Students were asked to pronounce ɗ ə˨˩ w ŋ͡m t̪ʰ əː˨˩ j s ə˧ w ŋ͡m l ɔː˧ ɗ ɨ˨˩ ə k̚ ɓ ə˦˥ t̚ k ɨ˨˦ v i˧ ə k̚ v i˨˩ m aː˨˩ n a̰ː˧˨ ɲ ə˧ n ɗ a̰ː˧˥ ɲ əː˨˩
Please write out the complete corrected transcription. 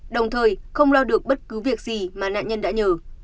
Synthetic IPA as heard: ɗ ə˨˩ w ŋ͡m t̪ʰ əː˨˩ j x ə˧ w ŋ͡m l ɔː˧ ɗ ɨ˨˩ ə k̚ ɓ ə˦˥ t̚ k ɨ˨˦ v i˨˩ ə k̚ z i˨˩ m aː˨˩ n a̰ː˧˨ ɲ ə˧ n ɗ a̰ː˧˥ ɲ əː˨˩